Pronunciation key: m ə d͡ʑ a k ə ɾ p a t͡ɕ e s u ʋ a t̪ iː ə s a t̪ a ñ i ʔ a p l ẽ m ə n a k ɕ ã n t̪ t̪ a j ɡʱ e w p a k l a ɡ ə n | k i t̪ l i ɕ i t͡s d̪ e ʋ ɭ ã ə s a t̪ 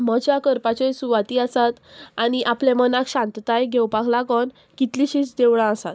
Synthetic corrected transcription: m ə d͡ʑ a k ə ɾ p a t͡ɕ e s u ʋ a t̪ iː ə s a t̪ a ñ i ʔ a p l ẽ m ə n a k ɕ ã n t̪ t̪ a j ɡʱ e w p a k l a ɡ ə n | k i t̪ l i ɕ i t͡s d̪ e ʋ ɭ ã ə s a t̪

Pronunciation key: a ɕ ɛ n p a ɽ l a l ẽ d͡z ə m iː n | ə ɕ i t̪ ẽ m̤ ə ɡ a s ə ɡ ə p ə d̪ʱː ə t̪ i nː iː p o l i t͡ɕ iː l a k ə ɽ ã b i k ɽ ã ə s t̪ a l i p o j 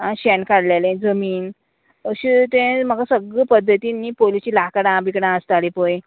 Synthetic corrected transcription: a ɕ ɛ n k a ɽ l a l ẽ d͡z ə m iː n | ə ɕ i t̪ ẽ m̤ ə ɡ a s ə ɡ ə p ə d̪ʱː ə t̪ i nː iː p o l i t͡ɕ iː l a k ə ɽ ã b i k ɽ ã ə s t̪ a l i p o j

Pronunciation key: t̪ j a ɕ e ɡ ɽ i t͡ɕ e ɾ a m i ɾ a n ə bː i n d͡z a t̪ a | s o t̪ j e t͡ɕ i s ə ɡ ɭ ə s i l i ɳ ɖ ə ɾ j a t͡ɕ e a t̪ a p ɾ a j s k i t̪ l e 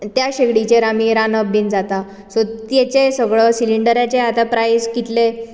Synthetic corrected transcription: t̪ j a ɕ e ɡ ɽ i t͡ɕ e ɾ a m i ɾ a n ə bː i n d͡z a t̪ a | s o t̪ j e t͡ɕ e s ə ɡ ɭ ə s i l i ɳ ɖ ə ɾ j a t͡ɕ e a t̪ a p ɾ a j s k i t̪ l e

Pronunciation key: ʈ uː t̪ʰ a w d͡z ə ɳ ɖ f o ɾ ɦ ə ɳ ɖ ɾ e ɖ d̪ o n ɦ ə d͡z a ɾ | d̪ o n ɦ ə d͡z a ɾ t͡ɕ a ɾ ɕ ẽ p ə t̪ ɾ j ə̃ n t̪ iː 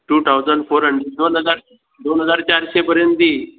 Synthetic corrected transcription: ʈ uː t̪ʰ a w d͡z ə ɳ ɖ f o ɾ ɦ ə ɳ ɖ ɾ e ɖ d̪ o n ɦ ə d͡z a ɾ | d̪ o n ɦ ə d͡z a ɾ t͡ɕ a ɾ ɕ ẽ p ə ɾ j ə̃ n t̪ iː

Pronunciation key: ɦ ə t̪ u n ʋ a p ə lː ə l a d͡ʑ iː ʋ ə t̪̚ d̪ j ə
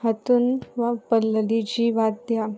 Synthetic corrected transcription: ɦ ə t̪ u n ʋ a p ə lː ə l i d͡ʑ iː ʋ a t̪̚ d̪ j a

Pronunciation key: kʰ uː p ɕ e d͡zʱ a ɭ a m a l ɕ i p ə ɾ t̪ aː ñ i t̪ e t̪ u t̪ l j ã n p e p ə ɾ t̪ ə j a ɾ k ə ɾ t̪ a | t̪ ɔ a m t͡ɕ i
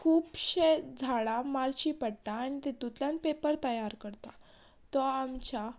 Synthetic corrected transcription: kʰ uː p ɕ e d͡zʱ a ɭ a m a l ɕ i p ə ɽ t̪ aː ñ i t̪ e t̪ u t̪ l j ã n p e p ə ɾ t̪ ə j a ɾ k ə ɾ t̪ a | t̪ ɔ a m t͡ɕ a

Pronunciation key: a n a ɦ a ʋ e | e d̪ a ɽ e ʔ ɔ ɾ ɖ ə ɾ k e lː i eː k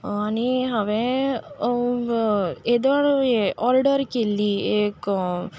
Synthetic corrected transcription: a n i ɦ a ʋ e | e d̪ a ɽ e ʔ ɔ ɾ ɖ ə ɾ k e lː i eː k

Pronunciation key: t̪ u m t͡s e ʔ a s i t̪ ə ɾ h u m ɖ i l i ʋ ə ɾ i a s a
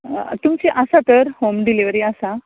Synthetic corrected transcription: t̪ u m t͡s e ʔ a s a t̪ ə ɾ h o m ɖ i l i ʋ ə ɾ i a s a

